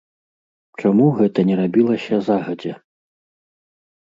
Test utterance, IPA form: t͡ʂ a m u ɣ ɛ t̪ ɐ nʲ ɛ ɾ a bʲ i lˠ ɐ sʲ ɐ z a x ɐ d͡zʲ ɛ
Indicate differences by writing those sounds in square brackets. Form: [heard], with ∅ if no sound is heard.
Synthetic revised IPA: t͡ʂ a m u ɣ ɛ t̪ ɐ nʲ ɛ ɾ a bʲ i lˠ ɐ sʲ ɐ z a [ɣ] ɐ d͡zʲ ɛ